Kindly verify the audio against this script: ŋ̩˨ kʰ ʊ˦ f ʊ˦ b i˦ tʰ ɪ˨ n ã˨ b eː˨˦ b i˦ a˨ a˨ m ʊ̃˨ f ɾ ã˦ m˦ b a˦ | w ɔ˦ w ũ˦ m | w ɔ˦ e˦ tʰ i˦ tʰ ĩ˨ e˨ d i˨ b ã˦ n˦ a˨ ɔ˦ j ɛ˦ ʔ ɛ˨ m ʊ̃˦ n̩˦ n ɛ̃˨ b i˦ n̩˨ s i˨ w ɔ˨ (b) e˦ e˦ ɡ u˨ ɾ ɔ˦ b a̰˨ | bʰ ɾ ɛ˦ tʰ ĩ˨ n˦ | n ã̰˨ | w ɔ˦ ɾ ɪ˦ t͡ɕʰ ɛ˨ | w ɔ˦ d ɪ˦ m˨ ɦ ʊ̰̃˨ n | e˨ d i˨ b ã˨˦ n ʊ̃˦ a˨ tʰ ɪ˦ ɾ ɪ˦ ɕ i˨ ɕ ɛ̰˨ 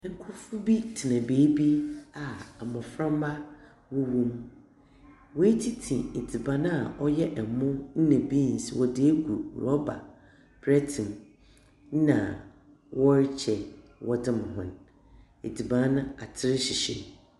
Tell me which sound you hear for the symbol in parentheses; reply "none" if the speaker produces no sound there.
d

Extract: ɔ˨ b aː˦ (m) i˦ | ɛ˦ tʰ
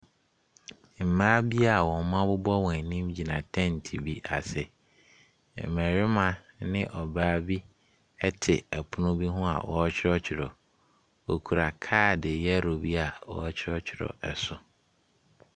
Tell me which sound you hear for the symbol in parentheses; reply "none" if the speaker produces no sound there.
b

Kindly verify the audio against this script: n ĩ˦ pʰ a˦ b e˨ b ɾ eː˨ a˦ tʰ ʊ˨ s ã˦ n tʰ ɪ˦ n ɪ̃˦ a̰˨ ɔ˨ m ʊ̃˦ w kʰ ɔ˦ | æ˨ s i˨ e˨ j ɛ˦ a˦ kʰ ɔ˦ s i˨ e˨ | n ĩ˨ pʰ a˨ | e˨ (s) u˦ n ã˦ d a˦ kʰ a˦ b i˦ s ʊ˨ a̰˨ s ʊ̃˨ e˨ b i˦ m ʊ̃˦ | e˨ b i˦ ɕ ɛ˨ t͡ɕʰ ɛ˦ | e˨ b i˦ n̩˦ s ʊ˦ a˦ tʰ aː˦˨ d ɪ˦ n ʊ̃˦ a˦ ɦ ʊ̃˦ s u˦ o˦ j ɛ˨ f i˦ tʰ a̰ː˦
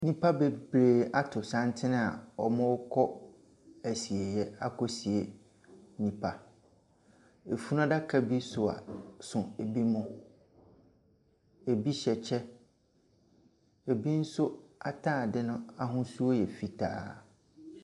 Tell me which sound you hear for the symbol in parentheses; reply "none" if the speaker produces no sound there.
f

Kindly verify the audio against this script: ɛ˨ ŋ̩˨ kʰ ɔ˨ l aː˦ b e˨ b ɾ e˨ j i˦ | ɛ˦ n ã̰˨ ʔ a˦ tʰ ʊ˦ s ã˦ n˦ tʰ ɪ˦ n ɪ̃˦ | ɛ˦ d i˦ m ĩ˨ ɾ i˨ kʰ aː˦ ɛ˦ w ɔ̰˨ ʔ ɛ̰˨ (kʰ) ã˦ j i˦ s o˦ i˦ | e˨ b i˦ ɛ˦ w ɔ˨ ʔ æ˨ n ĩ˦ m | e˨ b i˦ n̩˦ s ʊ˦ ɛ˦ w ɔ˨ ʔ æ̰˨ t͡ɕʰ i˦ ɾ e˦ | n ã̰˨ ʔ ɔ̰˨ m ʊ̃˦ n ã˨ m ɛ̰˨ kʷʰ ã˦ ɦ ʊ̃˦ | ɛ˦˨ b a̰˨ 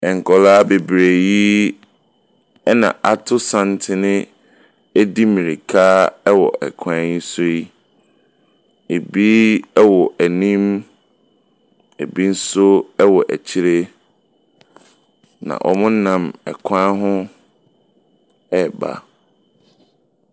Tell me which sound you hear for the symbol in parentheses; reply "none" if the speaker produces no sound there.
kʰ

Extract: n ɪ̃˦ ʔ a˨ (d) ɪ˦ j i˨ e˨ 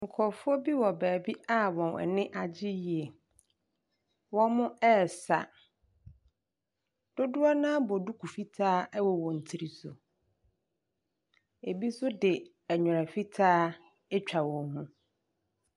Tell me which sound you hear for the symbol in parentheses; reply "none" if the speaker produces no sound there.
d͡ʑ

